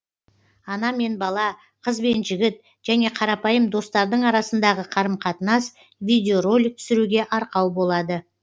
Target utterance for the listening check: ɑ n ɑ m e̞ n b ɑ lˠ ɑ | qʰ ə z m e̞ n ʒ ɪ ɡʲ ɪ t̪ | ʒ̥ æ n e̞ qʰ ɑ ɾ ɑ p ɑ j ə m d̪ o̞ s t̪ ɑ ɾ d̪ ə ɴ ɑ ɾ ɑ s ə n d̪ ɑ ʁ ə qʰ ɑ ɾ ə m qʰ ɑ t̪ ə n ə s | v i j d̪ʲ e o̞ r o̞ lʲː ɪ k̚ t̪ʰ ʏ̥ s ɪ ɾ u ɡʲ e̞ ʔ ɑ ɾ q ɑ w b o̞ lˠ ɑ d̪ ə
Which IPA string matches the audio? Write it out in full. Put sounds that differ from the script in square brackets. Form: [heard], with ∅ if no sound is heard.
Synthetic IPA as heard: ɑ n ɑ m e̞ n b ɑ lˠ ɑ | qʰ ə z [b] e̞ n ʒ ɪ ɡʲ ɪ t̪ | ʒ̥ æ n e̞ qʰ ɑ ɾ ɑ p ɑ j ə m d̪ o̞ s t̪ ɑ ɾ d̪ ə ɴ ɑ ɾ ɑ s ə n d̪ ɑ ʁ ə qʰ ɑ ɾ ə m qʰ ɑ t̪ ə n [ɑ] s | v i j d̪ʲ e o̞ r o̞ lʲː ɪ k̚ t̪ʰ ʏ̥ s ɪ ɾ u ɡʲ e̞ ʔ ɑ ɾ q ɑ w b o̞ lˠ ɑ d̪ ə